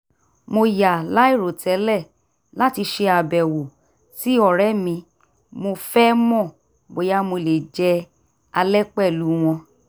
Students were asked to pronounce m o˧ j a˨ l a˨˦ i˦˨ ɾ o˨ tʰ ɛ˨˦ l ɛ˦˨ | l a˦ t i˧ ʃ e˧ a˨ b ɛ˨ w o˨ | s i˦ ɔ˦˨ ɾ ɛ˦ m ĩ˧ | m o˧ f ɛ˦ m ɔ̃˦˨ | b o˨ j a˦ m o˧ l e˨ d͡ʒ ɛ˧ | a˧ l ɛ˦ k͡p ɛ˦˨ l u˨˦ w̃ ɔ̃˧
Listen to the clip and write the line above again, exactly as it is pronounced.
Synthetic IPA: m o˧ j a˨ l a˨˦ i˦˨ ɾ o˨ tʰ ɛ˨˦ l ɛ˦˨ | l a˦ t i˧ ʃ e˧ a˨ b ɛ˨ w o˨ | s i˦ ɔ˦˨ ɾ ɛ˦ m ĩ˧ | m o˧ f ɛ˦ m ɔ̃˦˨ | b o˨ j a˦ m o˧ l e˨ d͡ʒ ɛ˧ | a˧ l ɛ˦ k͡p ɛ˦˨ l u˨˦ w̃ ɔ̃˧